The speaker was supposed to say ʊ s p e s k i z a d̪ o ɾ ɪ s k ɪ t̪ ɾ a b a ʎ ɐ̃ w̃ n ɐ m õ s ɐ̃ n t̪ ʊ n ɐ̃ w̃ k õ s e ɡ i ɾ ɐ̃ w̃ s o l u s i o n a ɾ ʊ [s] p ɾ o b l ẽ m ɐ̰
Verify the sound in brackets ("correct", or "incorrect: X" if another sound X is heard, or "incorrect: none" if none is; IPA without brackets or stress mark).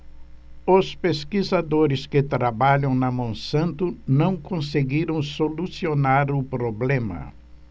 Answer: incorrect: none